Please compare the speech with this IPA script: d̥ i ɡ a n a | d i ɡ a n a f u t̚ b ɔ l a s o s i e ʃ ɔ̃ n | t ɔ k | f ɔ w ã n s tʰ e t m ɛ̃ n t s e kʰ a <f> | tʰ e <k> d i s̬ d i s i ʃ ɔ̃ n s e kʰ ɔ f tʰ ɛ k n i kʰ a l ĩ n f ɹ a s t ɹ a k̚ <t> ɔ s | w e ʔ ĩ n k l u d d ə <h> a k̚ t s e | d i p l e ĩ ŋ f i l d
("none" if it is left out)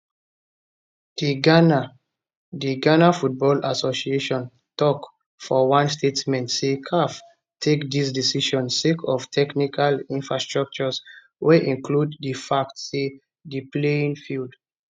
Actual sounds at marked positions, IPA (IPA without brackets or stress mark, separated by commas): f, k, t͡ʃ, f